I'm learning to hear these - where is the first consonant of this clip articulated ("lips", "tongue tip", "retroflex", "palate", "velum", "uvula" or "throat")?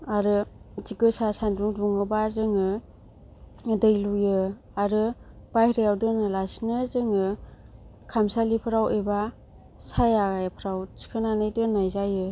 tongue tip